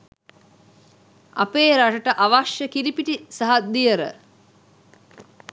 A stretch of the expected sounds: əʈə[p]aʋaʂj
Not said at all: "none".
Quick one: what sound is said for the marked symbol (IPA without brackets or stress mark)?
ʔ